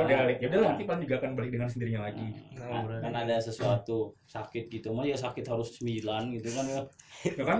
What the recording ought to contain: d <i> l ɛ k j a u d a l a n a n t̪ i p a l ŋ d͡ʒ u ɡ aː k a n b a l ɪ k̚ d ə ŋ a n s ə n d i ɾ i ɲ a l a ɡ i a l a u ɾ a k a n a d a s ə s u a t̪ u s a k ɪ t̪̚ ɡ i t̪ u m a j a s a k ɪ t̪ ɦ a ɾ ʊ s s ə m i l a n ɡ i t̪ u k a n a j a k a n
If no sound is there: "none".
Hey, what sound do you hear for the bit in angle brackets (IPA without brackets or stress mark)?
a